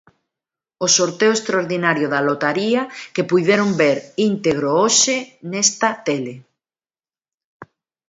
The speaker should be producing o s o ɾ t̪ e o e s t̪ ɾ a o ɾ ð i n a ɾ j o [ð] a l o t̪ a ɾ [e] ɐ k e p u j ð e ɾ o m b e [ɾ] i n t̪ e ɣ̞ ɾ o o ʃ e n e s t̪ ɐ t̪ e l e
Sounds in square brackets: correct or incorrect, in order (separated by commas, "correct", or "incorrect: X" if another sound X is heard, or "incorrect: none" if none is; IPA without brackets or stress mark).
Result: correct, incorrect: i, correct